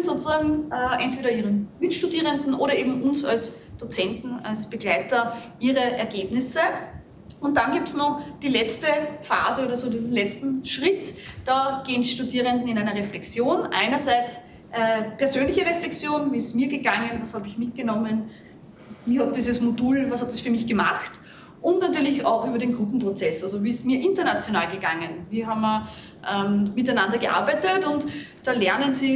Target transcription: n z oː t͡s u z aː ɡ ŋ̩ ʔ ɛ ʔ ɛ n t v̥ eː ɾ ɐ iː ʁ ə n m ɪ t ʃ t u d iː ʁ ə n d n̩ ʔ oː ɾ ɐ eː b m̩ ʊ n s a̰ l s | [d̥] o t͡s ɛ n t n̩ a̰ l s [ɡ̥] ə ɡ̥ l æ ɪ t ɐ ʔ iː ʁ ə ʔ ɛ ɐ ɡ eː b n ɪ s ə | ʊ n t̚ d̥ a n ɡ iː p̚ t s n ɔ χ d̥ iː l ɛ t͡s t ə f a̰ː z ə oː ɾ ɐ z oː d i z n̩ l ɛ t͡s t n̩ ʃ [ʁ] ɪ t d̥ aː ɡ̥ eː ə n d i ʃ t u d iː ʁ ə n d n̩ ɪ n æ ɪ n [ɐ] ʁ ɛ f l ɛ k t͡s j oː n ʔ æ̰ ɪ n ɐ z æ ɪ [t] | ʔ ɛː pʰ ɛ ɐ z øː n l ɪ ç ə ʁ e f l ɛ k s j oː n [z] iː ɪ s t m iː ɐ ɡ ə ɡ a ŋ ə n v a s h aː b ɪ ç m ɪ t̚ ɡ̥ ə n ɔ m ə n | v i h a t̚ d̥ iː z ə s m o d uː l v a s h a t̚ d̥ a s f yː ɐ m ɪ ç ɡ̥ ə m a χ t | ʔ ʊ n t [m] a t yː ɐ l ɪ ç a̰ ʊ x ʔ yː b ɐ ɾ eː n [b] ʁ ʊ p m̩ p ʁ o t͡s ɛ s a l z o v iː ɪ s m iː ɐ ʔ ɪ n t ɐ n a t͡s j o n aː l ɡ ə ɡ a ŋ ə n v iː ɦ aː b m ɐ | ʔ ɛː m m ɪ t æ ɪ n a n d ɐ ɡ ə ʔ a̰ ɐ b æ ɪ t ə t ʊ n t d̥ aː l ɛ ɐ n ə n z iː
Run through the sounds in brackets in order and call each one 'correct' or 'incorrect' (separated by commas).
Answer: correct, incorrect, correct, correct, incorrect, incorrect, incorrect, incorrect